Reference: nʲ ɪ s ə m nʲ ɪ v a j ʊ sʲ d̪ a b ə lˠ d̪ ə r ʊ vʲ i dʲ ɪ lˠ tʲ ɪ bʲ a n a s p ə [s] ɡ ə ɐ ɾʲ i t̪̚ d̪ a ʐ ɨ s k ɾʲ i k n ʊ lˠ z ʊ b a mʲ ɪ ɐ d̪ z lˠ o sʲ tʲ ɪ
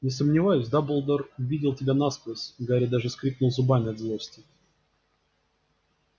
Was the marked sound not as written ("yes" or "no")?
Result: no